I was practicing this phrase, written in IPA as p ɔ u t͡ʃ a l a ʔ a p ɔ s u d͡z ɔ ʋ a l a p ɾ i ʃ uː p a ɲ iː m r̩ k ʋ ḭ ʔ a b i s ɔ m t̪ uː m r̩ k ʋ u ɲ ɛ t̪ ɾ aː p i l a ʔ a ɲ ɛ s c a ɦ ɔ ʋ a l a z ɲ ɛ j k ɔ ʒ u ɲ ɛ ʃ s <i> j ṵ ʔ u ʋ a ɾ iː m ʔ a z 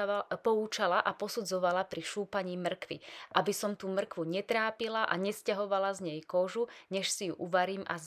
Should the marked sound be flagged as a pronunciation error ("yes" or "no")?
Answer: no